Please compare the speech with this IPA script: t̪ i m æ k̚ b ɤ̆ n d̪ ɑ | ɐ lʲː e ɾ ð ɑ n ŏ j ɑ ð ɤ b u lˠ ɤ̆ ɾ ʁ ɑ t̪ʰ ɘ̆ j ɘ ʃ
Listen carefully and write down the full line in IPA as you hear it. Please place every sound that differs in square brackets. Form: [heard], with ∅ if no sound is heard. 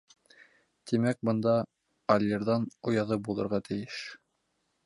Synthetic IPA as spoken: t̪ i m æ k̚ b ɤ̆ n d̪ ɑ | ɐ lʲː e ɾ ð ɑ n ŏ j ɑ ð ɤ b u lˠ ɤ̆ ɾ ʁ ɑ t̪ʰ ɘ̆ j ɘ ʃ